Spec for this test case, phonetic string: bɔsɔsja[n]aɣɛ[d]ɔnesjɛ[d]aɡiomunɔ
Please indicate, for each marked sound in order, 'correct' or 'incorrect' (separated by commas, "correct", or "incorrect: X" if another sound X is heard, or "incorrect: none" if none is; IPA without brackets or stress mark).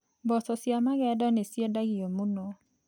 incorrect: m, correct, correct